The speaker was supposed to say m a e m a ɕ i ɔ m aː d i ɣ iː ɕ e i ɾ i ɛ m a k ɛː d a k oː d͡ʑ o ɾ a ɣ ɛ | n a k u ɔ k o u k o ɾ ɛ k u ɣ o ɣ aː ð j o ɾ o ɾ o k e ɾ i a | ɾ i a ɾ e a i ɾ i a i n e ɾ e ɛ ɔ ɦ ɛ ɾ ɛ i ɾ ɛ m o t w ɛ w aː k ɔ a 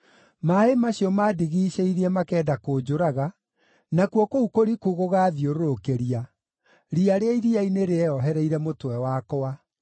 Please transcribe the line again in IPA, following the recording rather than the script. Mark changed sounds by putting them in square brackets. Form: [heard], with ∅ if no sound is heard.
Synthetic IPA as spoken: m a e m a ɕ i ɔ m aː d i ɣ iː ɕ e i ɾ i ɛ m a k ɛː d a k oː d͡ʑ o ɾ a ɣ [a] | n a k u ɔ k o u k o ɾ [i] k u ɣ o ɣ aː ð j o ɾ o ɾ o k e ɾ i a | ɾ i a ɾ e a i ɾ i a i n e ɾ e ɛ ɔ ɦ ɛ ɾ ɛ i ɾ ɛ m o t w ɛ w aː k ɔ a